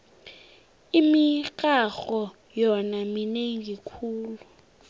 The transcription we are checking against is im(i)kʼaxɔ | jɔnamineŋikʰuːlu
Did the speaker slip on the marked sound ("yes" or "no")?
no